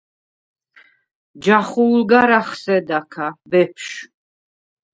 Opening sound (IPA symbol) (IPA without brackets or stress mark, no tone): d͡ʒ